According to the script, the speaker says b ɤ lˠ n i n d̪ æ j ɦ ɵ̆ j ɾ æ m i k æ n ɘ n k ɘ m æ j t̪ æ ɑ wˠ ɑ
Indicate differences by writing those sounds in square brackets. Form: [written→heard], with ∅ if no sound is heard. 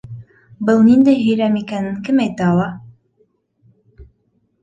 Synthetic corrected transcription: b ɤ lˠ n i n d̪ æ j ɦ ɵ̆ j ɾ æ m i k æ n ɘ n k ɘ m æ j t̪ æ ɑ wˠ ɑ

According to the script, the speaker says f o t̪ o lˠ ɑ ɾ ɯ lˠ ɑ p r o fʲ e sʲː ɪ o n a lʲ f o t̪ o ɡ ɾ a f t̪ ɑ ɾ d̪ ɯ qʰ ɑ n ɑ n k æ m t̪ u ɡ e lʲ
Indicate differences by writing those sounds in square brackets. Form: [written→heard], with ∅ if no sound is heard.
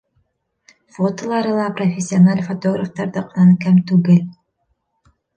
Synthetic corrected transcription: f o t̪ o lˠ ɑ ɾ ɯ lˠ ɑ p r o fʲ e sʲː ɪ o n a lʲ f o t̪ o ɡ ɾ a f t̪ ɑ ɾ d̪ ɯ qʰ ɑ n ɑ n k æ m t̪ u ɡ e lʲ

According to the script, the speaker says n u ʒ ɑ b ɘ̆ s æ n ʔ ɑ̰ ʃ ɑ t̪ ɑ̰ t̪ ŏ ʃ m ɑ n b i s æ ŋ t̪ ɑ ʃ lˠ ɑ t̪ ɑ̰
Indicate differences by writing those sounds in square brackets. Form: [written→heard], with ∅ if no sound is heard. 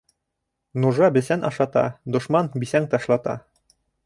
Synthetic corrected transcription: n u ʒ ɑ b ɘ̆ s æ n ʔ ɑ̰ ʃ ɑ t̪ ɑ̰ [t̪→d̪] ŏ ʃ m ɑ n b i s æ ŋ t̪ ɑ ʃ lˠ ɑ t̪ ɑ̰

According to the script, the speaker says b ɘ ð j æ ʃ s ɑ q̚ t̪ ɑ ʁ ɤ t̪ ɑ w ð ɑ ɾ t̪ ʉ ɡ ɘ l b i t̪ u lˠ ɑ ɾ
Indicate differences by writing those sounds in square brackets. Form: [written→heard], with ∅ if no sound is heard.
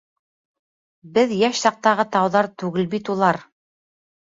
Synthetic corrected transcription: b ɘ ð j æ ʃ s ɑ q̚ t̪ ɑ ʁ ɤ t̪ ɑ w ð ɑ ɾ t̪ ʉ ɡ ɘ l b i t̪ u lˠ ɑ ɾ

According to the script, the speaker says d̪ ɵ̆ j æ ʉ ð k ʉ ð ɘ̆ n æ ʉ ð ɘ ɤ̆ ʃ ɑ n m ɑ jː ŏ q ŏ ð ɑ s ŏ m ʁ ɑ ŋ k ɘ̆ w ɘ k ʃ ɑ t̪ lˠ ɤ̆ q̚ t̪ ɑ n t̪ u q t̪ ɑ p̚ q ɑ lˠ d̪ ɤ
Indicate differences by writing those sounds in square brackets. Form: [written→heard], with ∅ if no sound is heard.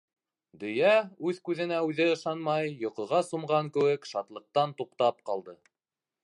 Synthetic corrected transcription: d̪ ɵ̆ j æ ʉ ð k ʉ ð ɘ̆ n æ ʉ ð ɘ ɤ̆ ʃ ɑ n m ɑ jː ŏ q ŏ [ð→ʁ] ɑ s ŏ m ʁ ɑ ŋ k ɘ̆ w ɘ k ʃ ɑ t̪ lˠ ɤ̆ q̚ t̪ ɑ n t̪ u q t̪ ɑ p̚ q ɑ lˠ d̪ ɤ

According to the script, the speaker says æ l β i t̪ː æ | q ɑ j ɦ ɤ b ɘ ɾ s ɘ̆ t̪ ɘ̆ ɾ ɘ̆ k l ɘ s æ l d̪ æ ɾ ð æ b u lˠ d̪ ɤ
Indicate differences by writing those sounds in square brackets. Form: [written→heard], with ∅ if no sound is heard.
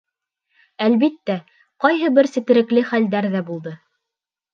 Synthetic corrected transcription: æ l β i t̪ː æ | q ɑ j ɦ ɤ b ɘ ɾ s ɘ̆ t̪ ɘ̆ ɾ ɘ̆ k l ɘ [s→χ] æ l d̪ æ ɾ ð æ b u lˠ d̪ ɤ

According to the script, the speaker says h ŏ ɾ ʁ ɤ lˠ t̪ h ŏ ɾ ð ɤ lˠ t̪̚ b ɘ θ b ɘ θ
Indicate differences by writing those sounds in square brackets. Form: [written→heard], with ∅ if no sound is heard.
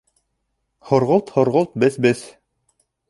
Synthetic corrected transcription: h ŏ ɾ ʁ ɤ lˠ t̪ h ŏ ɾ [ð→ʁ] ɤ lˠ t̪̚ b ɘ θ b ɘ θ

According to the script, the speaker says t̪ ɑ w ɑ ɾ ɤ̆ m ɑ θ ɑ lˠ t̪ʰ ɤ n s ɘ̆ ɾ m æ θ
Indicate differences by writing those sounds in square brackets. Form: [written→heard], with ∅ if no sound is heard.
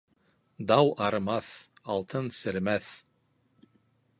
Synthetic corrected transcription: [t̪→d̪] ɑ w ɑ ɾ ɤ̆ m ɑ θ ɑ lˠ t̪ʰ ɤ n s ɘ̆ ɾ m æ θ

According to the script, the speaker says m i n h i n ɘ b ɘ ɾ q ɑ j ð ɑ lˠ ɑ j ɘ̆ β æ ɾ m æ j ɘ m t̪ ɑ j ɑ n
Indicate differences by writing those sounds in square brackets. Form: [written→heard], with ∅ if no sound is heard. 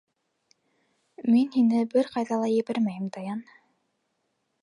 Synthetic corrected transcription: m i n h i n ɘ b ɘ ɾ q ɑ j ð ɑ lˠ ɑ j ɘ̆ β æ ɾ m æ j ɘ m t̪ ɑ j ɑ n

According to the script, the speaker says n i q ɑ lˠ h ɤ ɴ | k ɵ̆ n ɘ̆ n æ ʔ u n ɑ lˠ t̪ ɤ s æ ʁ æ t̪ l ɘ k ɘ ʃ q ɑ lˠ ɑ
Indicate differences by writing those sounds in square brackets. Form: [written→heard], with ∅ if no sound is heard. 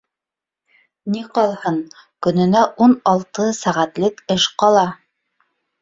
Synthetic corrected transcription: n i q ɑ lˠ h ɤ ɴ | k ɵ̆ n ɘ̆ n æ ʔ u n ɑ lˠ t̪ ɤ s æ ʁ æ t̪ l ɘ k ɘ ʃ q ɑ lˠ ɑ

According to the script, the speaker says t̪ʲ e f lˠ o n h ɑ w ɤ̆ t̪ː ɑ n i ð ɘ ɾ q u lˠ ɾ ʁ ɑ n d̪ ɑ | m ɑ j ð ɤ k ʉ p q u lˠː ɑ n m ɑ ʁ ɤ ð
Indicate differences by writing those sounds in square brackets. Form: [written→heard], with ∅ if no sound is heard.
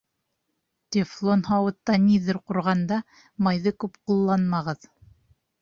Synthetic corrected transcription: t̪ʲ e f lˠ o n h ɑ w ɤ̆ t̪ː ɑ n i ð ɘ ɾ q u [lˠ→∅] ɾ ʁ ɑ n d̪ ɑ | m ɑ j ð ɤ k ʉ p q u lˠː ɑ n m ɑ ʁ ɤ ð

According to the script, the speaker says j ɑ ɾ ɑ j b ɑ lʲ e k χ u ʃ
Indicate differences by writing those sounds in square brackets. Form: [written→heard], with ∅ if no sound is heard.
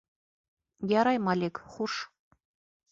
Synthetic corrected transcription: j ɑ ɾ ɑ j [b→m] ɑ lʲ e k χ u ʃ

